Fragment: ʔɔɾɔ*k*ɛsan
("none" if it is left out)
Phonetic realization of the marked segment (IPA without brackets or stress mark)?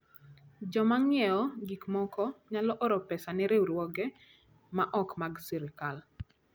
p